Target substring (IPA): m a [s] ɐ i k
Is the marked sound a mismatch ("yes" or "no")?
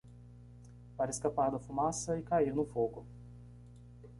no